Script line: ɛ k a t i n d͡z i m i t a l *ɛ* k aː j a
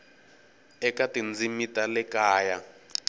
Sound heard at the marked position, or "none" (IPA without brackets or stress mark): ɛ